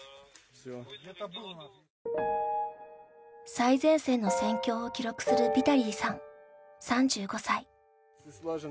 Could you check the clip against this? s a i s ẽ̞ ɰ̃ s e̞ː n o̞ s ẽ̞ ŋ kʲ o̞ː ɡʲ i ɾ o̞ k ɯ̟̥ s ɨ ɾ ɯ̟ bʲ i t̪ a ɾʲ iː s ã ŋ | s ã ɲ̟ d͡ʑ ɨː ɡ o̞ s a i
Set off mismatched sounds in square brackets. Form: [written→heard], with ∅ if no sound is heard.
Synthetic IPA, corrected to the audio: s a i [s→z] ẽ̞ ɰ̃ s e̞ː n o̞ s ẽ̞ ŋ kʲ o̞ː [ɡʲ→kʲ] i ɾ o̞ k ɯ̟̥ s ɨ ɾ ɯ̟ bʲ i t̪ a ɾʲ iː s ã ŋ | s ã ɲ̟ d͡ʑ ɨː ɡ o̞ s a i